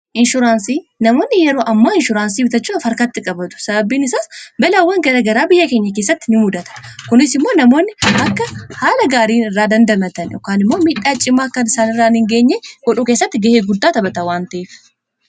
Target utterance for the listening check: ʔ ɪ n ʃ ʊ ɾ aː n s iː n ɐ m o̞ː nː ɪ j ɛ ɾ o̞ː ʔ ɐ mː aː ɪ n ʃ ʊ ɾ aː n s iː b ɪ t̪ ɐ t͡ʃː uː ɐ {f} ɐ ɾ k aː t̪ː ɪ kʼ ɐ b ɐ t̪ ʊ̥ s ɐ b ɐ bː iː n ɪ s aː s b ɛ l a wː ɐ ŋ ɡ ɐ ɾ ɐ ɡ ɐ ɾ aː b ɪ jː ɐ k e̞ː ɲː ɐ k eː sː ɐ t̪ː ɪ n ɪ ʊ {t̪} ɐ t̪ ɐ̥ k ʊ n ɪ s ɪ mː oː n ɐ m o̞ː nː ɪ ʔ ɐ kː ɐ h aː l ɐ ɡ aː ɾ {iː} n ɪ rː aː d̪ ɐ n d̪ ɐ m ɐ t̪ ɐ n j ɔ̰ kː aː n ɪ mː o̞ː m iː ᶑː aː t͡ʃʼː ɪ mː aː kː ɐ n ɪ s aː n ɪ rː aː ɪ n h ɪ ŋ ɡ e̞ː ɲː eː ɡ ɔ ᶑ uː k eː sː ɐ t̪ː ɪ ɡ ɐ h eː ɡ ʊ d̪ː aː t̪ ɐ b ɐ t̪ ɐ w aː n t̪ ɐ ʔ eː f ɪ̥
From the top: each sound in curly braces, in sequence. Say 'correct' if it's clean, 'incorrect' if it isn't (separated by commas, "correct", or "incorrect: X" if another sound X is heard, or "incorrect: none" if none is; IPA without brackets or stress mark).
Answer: correct, incorrect: d̪, correct